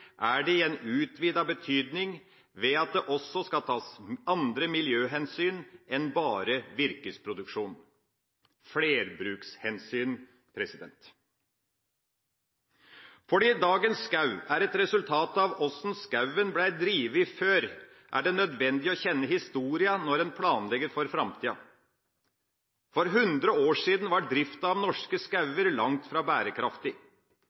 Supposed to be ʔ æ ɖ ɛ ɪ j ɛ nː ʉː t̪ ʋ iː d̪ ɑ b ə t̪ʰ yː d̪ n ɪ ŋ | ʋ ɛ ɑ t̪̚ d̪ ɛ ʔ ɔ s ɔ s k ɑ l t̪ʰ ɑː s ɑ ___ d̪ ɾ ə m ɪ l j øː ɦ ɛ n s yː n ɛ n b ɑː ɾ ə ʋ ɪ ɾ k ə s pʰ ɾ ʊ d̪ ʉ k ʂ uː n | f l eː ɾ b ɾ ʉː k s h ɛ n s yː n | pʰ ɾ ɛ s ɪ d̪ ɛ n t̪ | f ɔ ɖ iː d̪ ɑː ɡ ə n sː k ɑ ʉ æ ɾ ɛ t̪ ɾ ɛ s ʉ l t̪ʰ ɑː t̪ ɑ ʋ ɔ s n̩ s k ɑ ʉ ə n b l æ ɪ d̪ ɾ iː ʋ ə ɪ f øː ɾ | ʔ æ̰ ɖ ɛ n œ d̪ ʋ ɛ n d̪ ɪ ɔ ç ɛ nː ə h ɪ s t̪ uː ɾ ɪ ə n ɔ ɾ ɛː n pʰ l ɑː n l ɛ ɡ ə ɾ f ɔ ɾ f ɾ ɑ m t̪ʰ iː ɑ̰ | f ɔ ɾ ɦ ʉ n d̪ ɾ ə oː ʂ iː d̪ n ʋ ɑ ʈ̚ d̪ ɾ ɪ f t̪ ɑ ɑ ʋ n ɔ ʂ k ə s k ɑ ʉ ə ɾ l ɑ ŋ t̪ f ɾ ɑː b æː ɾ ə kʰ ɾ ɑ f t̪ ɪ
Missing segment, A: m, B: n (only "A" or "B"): B